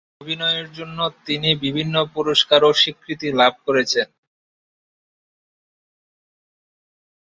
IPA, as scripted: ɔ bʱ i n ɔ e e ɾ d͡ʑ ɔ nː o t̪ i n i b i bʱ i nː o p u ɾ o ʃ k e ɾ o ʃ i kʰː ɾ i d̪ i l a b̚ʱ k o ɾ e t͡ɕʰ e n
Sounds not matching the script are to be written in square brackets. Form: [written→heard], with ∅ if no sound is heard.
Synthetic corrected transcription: [ɔ→o] bʱ i n ɔ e e ɾ d͡ʑ [ɔ→o] nː o t̪ i n i b i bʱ i nː o p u ɾ o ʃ k [e→a] ɾ o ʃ i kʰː ɾ i [d̪→t̪] i l a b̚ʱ k o ɾ e t͡ɕʰ e n